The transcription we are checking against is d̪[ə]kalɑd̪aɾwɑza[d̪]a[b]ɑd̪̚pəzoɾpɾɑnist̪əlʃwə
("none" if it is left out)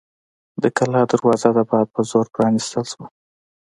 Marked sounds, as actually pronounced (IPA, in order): ə, d̪, b

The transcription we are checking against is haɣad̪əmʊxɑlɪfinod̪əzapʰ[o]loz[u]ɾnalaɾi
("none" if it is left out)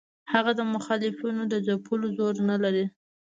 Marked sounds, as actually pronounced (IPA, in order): u, o

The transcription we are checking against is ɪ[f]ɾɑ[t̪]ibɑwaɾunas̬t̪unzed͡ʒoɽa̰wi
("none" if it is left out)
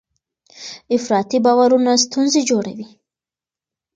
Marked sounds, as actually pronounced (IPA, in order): f, t̪

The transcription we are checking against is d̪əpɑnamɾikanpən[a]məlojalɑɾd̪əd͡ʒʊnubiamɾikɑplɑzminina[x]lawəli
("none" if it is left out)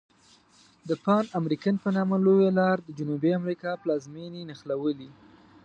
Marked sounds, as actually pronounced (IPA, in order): ɑ, x

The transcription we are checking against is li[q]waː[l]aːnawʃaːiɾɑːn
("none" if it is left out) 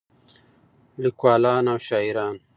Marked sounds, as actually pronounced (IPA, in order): k, l

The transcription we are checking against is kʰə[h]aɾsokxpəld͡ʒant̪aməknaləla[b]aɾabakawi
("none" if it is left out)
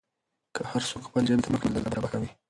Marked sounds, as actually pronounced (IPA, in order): h, b

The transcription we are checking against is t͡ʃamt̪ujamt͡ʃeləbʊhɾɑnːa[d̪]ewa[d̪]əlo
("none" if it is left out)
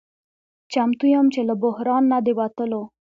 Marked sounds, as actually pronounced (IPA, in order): d̪, t̪

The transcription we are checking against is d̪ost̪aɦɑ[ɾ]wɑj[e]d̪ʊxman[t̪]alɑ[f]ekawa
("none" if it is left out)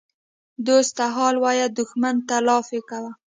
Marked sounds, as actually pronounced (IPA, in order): l, a, t̪, f

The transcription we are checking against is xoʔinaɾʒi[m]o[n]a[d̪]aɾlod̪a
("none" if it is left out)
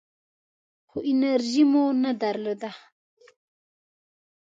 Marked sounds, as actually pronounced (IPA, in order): m, n, d̪

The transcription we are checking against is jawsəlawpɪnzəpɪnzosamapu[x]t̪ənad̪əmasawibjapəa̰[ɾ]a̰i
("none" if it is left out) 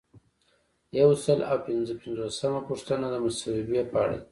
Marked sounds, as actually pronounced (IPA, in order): ʂ, ɽ

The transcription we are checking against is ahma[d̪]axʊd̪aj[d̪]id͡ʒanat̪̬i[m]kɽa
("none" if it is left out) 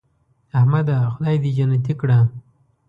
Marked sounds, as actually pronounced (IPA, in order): d̪, d̪, none

